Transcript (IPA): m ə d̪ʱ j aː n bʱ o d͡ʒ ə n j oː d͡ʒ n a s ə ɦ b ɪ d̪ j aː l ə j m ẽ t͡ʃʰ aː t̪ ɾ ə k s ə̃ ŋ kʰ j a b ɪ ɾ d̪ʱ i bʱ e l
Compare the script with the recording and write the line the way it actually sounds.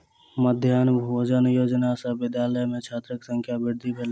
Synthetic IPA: m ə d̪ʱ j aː n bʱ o d͡ʒ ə n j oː d͡ʒ n a s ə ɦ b ɪ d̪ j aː l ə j m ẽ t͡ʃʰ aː t̪ ɾ ə k s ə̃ ŋ kʰ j a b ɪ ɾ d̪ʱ i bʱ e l